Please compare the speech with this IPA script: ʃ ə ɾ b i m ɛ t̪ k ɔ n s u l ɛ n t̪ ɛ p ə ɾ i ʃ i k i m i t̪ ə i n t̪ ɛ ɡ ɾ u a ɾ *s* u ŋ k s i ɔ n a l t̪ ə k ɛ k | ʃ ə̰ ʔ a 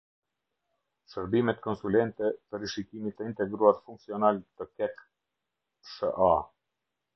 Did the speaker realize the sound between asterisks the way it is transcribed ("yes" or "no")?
no